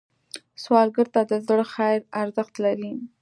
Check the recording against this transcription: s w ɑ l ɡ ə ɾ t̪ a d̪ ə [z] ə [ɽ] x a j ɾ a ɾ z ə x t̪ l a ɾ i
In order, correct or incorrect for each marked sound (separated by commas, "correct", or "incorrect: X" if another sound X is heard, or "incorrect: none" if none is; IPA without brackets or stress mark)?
correct, correct